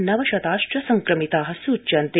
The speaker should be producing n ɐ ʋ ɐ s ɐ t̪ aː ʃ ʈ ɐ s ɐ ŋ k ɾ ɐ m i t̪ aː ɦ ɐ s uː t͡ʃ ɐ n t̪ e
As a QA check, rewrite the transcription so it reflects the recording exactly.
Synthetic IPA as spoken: n ɐ ʋ ɐ ʃ ɐ t̪ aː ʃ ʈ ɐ s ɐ ŋ k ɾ ɐ m i t̪ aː ɦ ɐ s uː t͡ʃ ɐ n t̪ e